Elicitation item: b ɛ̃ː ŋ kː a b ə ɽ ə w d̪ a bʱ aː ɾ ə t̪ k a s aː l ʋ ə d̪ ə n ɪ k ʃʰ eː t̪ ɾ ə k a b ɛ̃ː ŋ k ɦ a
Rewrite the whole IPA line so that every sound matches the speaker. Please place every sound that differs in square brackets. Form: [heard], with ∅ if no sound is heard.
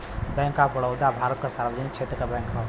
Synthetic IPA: b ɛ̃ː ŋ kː a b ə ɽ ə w d̪ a bʱ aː ɾ ə t̪ k a s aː [ɾ] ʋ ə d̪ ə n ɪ k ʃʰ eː t̪ ɾ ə k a b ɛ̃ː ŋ k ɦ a